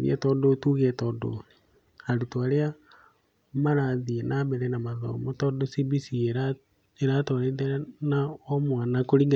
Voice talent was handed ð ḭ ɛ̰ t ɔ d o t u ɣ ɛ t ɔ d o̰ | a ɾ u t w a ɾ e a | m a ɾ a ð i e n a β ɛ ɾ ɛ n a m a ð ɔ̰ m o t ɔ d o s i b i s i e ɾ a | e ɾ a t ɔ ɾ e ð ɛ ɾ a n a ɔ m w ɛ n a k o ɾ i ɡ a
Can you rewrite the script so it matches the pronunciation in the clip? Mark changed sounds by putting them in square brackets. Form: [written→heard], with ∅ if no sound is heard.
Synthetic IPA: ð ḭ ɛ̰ t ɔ d o t u ɣ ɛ t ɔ d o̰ | a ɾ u t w a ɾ e a | m a ɾ a ð i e n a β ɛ ɾ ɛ n a m a ð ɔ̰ m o t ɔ d o s i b i s i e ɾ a | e ɾ a t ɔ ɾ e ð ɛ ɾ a n a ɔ m w [ɛ→a] n a k o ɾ i ɡ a